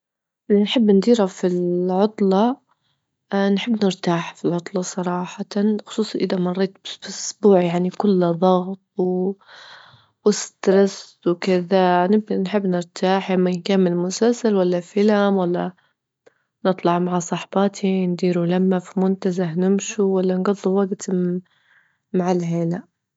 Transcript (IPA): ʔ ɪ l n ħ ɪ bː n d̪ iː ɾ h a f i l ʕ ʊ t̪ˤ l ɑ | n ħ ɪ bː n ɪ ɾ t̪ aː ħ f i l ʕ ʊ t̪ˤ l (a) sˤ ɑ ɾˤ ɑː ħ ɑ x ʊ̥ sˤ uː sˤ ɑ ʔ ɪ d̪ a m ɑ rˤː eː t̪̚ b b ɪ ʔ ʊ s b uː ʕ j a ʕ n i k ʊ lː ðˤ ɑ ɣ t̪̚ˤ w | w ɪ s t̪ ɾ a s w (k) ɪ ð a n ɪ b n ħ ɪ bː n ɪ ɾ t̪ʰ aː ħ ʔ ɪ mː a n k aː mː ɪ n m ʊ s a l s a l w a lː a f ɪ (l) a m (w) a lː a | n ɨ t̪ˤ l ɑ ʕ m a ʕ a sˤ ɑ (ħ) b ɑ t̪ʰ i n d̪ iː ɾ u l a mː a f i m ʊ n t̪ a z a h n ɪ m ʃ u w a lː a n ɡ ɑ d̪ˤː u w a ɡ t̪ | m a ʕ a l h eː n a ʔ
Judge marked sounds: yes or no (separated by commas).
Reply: no, yes, yes, yes, yes